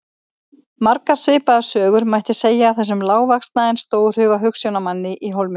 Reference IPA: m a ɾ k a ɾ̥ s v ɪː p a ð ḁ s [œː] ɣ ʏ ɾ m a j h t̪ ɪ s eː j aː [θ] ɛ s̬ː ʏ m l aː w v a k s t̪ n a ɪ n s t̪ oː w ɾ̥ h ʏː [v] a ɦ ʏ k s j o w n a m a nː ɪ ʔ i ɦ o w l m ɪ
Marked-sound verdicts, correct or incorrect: correct, correct, incorrect: ɣ

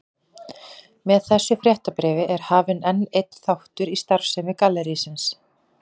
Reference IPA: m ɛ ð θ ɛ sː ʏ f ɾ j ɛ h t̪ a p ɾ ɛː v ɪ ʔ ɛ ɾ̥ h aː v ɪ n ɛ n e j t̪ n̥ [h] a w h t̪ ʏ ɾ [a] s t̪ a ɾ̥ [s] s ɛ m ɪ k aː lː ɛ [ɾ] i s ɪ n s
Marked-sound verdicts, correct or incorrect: incorrect: θ, incorrect: i, incorrect: f, correct

